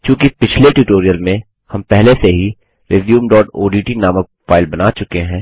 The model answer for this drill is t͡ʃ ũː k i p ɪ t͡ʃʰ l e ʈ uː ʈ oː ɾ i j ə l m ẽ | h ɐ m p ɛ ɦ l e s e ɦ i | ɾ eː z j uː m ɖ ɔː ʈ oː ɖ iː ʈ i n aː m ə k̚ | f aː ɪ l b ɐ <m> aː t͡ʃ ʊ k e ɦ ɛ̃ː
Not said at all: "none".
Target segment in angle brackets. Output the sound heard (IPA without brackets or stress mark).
n